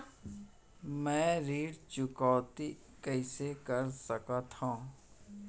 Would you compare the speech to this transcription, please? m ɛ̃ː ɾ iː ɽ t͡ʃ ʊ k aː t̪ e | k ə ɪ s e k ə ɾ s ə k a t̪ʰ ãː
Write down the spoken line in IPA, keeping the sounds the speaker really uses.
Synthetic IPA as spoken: m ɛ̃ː ɾ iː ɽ t͡ʃ ʊ k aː t̪ i | k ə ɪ s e k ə ɾ s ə k a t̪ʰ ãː